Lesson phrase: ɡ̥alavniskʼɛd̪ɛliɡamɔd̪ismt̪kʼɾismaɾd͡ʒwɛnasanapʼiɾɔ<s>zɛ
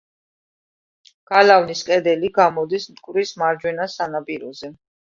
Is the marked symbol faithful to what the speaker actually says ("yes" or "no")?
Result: no